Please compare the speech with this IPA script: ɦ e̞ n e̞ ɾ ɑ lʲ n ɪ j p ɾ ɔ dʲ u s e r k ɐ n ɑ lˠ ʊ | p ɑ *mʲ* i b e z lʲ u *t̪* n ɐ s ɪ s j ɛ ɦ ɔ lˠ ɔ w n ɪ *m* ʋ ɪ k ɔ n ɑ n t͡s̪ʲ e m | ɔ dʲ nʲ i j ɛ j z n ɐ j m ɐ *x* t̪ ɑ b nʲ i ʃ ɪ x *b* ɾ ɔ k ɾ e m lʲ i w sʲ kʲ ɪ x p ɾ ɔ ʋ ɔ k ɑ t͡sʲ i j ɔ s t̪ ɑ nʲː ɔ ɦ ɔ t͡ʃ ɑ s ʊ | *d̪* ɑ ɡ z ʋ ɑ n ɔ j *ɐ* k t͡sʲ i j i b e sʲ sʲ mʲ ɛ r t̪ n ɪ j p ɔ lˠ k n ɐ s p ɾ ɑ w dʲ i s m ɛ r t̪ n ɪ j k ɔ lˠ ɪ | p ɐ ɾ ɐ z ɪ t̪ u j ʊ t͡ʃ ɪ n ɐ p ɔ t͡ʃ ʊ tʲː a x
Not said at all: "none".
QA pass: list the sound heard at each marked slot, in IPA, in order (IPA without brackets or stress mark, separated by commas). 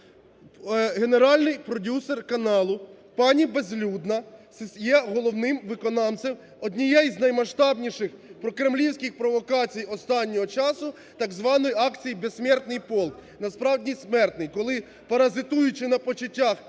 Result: nʲ, d̪, m, ʃ, p, t̪, ɑ